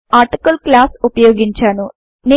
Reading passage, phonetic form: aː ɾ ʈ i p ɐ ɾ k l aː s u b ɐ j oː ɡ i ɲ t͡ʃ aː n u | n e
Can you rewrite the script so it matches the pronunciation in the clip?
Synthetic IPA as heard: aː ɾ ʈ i k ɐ l k l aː s u p ɐ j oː ɡ i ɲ t͡ʃ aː n u | n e